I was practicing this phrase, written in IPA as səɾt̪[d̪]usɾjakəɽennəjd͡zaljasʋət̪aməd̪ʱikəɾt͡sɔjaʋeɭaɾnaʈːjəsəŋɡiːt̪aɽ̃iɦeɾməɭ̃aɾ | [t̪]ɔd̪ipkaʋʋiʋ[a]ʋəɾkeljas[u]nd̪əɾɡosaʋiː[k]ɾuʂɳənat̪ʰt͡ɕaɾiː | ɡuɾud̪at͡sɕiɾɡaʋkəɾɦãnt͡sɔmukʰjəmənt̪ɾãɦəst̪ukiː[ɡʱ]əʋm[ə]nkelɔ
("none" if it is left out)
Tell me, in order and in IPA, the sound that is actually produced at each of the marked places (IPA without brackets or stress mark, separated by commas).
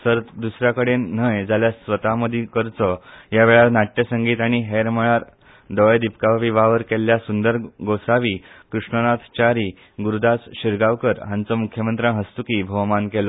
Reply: d̪, d̪, a, u, k, bʱ, a